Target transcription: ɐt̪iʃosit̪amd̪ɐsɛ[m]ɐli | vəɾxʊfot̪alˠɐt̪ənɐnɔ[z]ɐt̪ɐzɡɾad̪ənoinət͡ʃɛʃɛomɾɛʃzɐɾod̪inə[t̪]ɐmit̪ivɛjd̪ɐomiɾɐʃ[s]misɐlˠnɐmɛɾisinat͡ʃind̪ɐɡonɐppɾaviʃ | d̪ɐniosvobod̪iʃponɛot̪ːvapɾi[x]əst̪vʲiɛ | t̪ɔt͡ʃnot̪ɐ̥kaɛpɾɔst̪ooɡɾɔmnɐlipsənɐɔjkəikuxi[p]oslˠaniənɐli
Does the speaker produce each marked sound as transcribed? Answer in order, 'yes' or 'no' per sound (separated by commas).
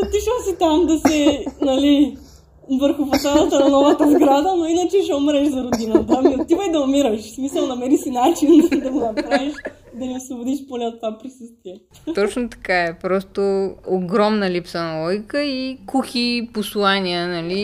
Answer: no, no, yes, yes, no, yes